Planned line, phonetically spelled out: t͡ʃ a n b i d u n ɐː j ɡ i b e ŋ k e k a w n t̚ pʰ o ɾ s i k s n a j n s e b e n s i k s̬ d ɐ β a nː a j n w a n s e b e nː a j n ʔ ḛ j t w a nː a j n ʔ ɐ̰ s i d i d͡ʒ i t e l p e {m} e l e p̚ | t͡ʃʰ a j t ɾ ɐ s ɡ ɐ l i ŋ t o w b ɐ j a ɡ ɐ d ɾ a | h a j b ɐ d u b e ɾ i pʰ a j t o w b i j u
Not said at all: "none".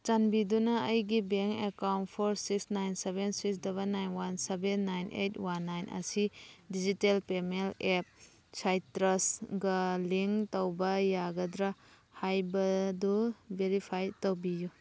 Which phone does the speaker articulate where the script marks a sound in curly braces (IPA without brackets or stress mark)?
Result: m